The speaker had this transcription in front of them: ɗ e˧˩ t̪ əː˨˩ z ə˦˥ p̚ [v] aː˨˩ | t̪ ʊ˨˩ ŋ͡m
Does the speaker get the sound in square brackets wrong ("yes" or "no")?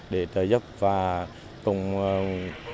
no